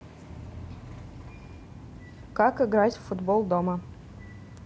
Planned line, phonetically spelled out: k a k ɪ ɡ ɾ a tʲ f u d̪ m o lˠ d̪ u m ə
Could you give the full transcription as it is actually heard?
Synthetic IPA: k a k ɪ ɡ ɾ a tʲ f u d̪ b o lˠ d̪ o m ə